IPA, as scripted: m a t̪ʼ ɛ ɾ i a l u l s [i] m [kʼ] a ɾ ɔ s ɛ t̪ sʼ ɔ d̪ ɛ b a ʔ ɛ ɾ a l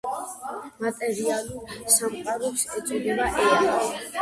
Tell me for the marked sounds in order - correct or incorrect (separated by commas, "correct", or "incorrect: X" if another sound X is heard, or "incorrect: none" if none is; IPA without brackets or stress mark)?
incorrect: a, incorrect: qʼ